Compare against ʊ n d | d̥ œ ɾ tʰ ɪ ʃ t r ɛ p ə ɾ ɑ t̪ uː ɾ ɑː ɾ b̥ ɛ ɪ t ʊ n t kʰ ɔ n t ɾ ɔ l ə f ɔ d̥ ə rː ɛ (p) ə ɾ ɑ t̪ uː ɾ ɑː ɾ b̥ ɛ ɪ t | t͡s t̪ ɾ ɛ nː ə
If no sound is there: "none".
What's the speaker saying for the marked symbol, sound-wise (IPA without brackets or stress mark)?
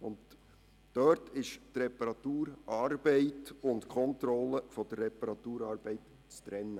p